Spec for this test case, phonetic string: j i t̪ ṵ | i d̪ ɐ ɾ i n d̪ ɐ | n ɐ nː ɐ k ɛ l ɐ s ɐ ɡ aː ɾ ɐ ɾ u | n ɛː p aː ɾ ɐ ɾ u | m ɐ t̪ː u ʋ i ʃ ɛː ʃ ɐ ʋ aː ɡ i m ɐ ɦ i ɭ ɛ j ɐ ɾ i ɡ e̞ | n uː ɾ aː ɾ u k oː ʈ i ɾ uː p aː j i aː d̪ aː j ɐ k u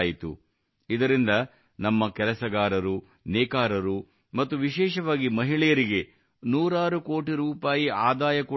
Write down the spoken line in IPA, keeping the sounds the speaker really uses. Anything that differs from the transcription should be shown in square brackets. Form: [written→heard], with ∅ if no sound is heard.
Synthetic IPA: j i t̪ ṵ | i d̪ ɐ ɾ i n d̪ ɐ | n ɐ [nː→mː] ɐ k ɛ l ɐ s ɐ ɡ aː ɾ ɐ ɾ u | n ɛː [p→k] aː ɾ ɐ ɾ u | m ɐ t̪ː u ʋ i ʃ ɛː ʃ ɐ ʋ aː ɡ i m ɐ ɦ i ɭ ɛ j ɐ ɾ i ɡ e̞ | n uː ɾ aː ɾ u k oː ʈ i ɾ uː p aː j i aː d̪ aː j ɐ k u

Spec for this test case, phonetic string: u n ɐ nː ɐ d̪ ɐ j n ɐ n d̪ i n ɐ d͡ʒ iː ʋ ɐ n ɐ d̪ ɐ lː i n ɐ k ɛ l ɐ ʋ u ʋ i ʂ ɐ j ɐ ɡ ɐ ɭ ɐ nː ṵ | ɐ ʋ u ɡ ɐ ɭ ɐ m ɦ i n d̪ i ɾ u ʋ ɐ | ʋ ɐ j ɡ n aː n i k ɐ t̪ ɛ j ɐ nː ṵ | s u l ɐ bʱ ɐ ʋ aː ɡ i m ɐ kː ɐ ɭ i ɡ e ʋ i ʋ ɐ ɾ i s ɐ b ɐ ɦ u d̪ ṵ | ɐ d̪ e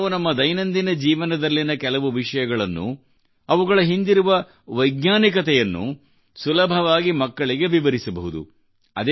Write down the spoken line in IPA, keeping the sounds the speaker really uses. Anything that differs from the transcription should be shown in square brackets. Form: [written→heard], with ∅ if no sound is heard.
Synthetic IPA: u n ɐ [nː→mː] ɐ d̪ ɐ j n ɐ n d̪ i n ɐ d͡ʒ iː ʋ ɐ n ɐ d̪ ɐ lː i n ɐ k ɛ l ɐ ʋ u ʋ i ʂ ɐ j ɐ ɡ ɐ ɭ ɐ nː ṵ | ɐ ʋ u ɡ ɐ ɭ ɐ [m→∅] ɦ i n d̪ i ɾ u ʋ ɐ | ʋ ɐ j ɡ n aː n i k ɐ t̪ ɛ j ɐ nː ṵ | s u l ɐ bʱ ɐ ʋ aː ɡ i m ɐ kː ɐ ɭ i ɡ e ʋ i ʋ ɐ ɾ i s ɐ b ɐ ɦ u d̪ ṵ | ɐ d̪ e

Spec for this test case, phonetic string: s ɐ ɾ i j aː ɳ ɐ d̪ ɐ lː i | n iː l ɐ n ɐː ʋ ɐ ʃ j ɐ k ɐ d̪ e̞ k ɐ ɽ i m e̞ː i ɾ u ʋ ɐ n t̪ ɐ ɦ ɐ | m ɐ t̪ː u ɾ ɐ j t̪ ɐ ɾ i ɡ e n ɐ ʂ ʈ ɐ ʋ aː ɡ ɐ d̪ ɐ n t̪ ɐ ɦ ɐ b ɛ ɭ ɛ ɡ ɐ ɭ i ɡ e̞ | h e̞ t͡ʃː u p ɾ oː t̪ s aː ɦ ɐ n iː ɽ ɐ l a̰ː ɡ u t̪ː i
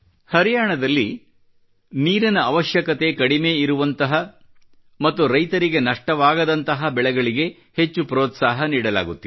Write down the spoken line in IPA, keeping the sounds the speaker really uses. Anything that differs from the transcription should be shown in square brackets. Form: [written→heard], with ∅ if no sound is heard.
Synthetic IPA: [s→h] ɐ ɾ i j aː ɳ ɐ d̪ ɐ lː i | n iː [l→ɾ] ɐ n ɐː ʋ ɐ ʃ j ɐ k ɐ [d̪→t̪] e̞ k ɐ ɽ i m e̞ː i ɾ u ʋ ɐ n t̪ ɐ ɦ ɐ | m ɐ t̪ː u ɾ ɐ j t̪ ɐ ɾ i ɡ e n ɐ ʂ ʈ ɐ ʋ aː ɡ ɐ d̪ ɐ n t̪ ɐ ɦ ɐ b ɛ ɭ ɛ ɡ ɐ ɭ i ɡ e̞ | h e̞ t͡ʃː u p ɾ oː t̪ s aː ɦ ɐ n iː ɽ ɐ l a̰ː ɡ u t̪ː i

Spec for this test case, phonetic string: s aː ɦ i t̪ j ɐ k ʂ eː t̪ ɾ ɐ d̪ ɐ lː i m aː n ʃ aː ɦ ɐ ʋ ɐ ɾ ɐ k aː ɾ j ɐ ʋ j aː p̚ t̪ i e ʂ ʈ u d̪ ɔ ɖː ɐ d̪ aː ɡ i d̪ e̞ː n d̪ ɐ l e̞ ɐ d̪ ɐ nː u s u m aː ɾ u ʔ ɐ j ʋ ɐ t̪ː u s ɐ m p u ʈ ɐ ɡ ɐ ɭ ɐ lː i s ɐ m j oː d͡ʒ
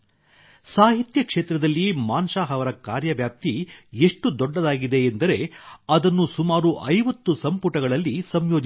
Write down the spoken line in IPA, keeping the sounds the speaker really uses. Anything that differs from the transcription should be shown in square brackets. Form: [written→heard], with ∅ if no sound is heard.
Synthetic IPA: s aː ɦ i t̪ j ɐ k ʂ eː t̪ ɾ ɐ d̪ ɐ lː i m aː n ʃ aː ɦ ɐ ʋ ɐ ɾ ɐ k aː ɾ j ɐ ʋ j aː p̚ t̪ i e ʂ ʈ u d̪ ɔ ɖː ɐ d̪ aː ɡ i d̪ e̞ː n d̪ ɐ [l→ɾ] e̞ ɐ d̪ ɐ nː u s u m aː ɾ u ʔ ɐ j ʋ ɐ t̪ː u s ɐ m p u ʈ ɐ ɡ ɐ ɭ ɐ lː i s ɐ m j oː d͡ʒ

